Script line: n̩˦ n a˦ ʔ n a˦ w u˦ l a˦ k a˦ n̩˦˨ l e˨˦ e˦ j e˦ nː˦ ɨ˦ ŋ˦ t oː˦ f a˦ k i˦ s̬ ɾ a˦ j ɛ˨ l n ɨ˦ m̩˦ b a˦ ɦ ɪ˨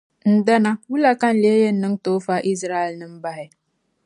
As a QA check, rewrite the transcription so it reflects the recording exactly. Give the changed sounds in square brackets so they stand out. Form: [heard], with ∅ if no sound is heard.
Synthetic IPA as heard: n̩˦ [d] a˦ [∅] n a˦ w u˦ l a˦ k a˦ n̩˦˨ l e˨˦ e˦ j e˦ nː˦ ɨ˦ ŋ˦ t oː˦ f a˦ [ʔ] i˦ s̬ ɾ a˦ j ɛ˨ l n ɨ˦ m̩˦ b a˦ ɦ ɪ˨